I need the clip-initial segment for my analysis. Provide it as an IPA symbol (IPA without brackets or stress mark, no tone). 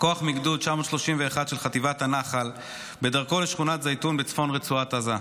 k